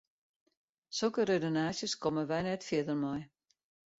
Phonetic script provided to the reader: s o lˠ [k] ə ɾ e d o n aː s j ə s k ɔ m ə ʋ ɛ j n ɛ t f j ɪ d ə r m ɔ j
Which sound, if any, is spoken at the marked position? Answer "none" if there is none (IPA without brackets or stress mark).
k